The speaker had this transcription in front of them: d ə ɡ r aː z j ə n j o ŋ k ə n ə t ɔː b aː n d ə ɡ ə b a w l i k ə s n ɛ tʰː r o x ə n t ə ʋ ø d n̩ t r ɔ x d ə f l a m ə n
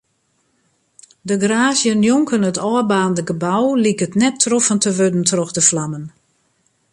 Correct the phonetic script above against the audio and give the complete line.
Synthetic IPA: d ə ɡ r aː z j ə n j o ŋ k ə n ə t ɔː b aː n d ə ɡ ə b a w l i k ə t n ɛ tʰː r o f ə n t ə ʋ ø d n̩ t r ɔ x d ə f l a m ə n

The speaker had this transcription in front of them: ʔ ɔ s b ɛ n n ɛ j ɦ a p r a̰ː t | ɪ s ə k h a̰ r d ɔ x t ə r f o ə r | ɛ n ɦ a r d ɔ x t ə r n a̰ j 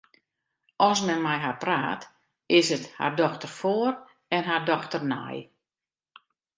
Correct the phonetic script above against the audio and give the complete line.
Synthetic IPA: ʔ ɔ s m ɛ n m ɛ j ɦ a p r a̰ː t | ɪ s ə t h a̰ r d ɔ x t ə r f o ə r | ɛ n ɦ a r d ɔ x t ə r n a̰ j

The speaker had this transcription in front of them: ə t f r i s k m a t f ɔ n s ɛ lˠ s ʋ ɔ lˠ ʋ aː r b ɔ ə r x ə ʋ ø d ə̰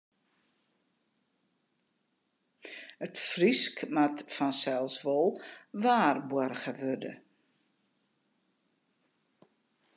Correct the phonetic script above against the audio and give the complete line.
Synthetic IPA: ə t f r i s k m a t f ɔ n s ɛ lˠ s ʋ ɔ lˠ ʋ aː r b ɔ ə r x ə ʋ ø d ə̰

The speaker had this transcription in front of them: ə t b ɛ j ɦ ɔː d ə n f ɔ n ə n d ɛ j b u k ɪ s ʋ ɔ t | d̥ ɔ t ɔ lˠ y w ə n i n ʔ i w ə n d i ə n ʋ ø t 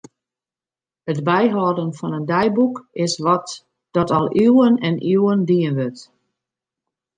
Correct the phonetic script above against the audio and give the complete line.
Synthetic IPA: ə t b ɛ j ɦ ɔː d ə n f ɔ n ə n d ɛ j b u k ɪ s ʋ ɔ t | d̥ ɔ t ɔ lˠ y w ə n ɛ n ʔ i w ə n d i ə n ʋ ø t

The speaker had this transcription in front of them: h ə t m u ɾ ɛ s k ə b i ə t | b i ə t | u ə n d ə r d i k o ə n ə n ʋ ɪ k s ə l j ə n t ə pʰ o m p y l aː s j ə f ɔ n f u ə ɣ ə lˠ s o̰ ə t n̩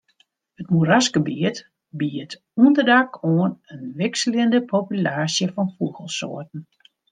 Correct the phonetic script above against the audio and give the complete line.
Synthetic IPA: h ə t m u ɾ a s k ə b i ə t | b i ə t | u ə n d ə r d a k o ə n ə n ʋ ɪ k s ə l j ə n d ə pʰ o p y l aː s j ə f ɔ n f u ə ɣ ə lˠ s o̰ ə t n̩

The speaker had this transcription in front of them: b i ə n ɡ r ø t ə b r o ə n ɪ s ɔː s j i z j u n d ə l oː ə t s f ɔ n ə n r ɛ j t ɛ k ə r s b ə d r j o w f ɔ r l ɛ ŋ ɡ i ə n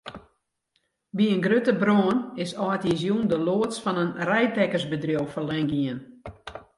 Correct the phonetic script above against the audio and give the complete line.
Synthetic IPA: b i ə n ɡ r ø t ə b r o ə n ɪ s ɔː t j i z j u n d ə l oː ə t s f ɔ n ə n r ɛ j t ɛ k ə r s b ə d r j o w f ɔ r l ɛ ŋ ɡ i ə n

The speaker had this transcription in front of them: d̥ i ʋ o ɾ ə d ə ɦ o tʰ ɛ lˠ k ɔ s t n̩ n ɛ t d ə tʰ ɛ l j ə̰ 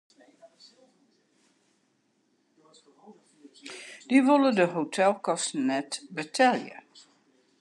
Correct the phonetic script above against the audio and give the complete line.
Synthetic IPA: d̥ i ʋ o l ə d ə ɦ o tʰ ɛ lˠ k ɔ s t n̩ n ɛ t b ə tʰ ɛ l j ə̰

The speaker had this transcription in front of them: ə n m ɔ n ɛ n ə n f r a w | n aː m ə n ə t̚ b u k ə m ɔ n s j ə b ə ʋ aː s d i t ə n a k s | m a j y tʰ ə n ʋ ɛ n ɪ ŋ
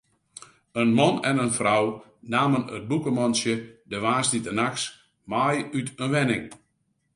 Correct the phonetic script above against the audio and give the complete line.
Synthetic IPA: ə n m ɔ n ɛ n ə n f r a w | n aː m ə n ə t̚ b u k ə m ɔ n s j ə d ə ʋ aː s d i t ə n a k s | m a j y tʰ ə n ʋ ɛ n ɪ ŋ

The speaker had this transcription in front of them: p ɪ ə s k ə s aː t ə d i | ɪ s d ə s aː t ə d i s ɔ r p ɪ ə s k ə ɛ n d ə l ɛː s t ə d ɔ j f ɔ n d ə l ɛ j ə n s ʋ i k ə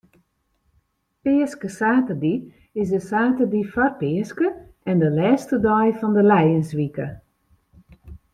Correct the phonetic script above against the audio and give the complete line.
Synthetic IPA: p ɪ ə s k ə s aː t ə d i | ɪ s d ə s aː t ə d i f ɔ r p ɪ ə s k ə ɛ n d ə l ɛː s t ə d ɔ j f ɔ n d ə l ɛ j ə n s ʋ i k ə

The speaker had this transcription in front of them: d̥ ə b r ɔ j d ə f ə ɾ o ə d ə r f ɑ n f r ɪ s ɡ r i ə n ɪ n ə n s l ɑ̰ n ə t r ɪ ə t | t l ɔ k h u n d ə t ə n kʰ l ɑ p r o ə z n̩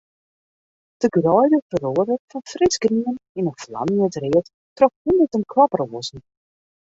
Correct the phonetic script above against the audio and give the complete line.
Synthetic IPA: d̥ ə ɡ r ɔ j d ə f ə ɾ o ə d ə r f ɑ n f r ɪ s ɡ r i ə n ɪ n ə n f l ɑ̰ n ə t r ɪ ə t | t r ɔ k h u n d ə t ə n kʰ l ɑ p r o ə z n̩

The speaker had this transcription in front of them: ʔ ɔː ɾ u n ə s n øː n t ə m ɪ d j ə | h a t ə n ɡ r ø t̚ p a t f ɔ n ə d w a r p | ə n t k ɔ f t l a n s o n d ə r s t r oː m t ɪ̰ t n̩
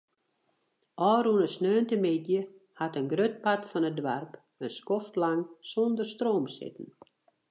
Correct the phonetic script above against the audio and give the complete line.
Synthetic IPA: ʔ ɔː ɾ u n ə s n øː n t ə m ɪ d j ə | h a t ə n ɡ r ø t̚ p a t f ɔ n ə d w a r p | ə n s k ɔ f t l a ŋ s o n d ə r s t r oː m s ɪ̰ t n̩

